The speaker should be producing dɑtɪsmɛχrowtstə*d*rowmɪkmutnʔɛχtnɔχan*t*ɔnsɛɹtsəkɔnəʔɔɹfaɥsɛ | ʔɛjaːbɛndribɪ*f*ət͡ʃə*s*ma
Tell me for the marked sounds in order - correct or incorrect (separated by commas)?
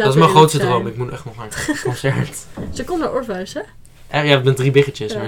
correct, incorrect, incorrect, correct